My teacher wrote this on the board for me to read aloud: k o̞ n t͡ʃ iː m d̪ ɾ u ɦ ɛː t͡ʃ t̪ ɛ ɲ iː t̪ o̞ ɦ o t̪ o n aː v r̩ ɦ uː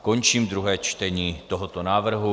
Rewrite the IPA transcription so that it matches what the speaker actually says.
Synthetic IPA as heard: k o̞ n t͡ʃ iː m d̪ ɾ u ɦ ɛː t͡ʃ t̪ ɛ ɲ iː t̪ o̞ ɦ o t̪ o n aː v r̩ ɦ u